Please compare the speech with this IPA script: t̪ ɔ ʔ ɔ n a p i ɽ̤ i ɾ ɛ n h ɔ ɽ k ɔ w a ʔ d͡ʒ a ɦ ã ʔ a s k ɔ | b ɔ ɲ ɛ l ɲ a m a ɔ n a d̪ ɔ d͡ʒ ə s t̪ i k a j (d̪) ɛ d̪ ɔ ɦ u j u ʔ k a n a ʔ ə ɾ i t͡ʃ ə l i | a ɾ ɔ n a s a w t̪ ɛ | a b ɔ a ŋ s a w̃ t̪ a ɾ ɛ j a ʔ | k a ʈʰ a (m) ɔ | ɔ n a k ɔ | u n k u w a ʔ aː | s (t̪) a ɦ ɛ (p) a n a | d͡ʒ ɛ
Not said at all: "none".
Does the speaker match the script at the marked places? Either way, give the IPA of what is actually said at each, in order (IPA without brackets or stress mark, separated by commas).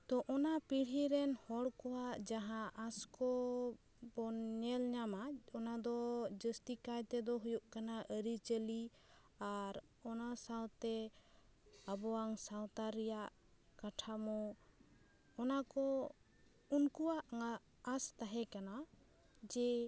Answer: t̪, m, t̪, k